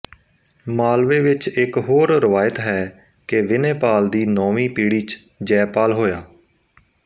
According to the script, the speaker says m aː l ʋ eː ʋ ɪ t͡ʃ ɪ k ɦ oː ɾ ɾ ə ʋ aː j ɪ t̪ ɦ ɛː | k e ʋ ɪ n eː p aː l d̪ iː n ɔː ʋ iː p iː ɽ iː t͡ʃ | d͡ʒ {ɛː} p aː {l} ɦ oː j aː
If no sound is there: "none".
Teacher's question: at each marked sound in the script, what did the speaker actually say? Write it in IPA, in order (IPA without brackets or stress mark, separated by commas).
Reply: ɛː, l